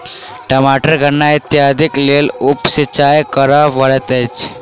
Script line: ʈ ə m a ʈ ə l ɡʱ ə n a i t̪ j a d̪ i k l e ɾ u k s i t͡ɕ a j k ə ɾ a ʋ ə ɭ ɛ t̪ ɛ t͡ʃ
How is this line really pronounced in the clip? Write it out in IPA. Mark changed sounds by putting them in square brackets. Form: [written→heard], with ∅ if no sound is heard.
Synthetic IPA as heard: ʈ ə m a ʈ ə [l→ɾ] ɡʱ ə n a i t̪ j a d̪ i k l e [ɾ→l] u [k→p] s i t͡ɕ a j k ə ɾ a ʋ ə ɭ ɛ t̪ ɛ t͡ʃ